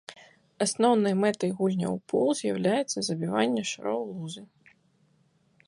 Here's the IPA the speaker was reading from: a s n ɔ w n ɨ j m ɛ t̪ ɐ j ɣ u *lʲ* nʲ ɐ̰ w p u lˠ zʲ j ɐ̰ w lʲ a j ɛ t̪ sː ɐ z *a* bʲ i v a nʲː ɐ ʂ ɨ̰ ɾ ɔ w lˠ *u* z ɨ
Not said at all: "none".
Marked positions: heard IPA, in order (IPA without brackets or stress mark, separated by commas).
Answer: lʲ, ɐ, u